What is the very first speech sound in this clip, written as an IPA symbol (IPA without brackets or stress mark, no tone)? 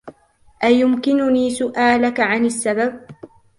ʔ